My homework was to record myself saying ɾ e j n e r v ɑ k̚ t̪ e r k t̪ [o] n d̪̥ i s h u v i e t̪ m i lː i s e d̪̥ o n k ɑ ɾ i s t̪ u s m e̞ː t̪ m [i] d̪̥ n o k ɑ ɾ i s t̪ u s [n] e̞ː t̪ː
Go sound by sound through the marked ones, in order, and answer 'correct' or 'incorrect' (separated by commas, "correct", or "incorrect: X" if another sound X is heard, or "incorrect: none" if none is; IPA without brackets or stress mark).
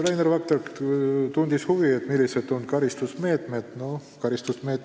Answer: incorrect: u, incorrect: e, incorrect: m